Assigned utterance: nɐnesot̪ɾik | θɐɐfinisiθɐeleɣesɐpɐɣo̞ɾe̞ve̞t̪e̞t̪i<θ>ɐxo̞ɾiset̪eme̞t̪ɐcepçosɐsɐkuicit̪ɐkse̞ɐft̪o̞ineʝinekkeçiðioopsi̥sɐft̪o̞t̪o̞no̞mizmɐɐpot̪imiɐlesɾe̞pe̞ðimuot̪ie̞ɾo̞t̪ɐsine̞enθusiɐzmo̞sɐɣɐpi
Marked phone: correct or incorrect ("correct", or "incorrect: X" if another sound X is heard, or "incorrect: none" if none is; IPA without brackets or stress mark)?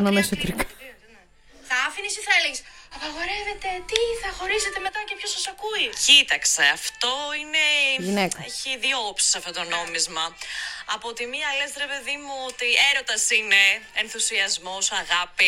correct